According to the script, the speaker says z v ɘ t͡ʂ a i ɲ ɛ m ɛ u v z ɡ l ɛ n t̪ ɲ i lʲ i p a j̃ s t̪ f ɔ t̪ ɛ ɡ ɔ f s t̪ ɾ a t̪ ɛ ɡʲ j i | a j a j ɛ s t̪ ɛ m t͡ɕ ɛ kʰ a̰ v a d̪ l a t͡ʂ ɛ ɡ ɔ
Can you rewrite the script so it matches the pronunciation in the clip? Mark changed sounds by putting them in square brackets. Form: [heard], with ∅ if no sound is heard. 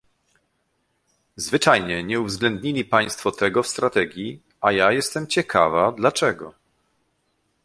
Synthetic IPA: z v ɘ t͡ʂ a [j] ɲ ɛ [ɲ] ɛ u v z ɡ l ɛ n [d̪] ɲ i lʲ i p a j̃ s t̪ f ɔ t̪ ɛ ɡ ɔ f s t̪ ɾ a t̪ ɛ ɡʲ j i | a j a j ɛ s t̪ ɛ m t͡ɕ ɛ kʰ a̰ v a d̪ l a t͡ʂ ɛ ɡ ɔ